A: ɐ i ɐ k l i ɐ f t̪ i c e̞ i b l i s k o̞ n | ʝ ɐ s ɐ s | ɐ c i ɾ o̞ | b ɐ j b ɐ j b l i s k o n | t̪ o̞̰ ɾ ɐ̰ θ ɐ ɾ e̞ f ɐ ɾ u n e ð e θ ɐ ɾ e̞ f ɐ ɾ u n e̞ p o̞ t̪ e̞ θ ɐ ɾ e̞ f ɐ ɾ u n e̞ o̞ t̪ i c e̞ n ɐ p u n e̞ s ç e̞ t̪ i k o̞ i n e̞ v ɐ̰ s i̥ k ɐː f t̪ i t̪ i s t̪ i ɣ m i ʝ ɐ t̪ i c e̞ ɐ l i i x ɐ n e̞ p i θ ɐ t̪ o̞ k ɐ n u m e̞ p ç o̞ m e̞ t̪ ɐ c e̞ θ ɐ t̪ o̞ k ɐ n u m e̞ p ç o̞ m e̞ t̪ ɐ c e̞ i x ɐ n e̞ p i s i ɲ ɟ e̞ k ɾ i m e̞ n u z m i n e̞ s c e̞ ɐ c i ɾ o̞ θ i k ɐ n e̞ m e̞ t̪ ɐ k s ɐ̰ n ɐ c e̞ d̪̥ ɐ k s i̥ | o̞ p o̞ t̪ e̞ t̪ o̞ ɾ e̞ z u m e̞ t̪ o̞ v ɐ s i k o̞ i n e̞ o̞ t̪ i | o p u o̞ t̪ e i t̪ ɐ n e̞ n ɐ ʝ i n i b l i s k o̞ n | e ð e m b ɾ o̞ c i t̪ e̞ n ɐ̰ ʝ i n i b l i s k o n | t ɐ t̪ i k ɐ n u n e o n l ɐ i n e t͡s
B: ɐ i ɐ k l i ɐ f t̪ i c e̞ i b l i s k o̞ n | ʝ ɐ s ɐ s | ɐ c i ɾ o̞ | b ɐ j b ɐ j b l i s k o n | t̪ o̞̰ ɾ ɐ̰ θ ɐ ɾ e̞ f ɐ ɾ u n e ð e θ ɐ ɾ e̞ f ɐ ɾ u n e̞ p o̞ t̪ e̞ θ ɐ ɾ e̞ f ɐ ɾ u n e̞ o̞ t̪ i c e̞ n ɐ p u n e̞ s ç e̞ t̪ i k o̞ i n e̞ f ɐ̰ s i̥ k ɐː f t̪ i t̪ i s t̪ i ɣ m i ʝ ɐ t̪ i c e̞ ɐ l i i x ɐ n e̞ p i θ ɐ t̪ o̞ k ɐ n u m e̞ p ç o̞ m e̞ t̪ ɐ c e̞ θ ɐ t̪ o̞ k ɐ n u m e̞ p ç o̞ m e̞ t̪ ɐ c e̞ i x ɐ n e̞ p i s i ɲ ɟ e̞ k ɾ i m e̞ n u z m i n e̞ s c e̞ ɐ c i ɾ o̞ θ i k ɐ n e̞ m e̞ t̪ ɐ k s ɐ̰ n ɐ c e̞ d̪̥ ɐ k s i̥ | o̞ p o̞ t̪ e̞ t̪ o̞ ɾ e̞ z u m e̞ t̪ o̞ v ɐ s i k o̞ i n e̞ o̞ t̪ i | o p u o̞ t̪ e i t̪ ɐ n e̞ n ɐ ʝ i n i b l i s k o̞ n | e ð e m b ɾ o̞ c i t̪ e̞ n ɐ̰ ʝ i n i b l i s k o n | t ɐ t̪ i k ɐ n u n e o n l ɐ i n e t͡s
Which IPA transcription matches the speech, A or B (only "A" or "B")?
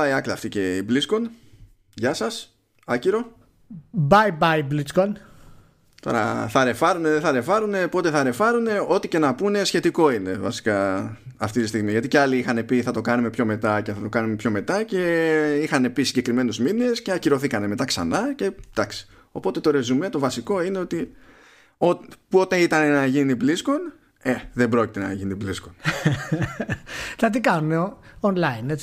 A